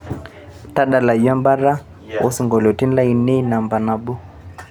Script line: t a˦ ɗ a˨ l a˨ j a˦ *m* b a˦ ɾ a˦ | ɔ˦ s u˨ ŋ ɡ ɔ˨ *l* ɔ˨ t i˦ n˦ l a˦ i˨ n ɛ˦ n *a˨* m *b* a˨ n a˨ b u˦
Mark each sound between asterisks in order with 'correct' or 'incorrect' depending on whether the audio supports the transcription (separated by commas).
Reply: correct, correct, correct, correct